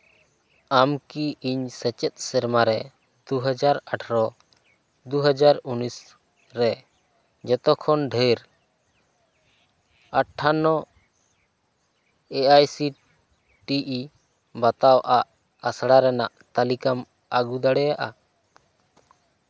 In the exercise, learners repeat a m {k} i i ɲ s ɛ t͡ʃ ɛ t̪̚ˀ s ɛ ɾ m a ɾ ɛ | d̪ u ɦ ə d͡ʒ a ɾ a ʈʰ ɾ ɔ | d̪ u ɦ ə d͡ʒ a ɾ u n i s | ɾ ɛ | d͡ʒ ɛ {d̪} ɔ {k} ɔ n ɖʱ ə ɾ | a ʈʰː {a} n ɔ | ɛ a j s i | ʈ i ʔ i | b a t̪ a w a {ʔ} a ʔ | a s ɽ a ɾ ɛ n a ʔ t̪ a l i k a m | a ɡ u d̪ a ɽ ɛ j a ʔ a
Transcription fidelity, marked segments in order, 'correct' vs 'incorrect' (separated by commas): correct, incorrect, incorrect, correct, correct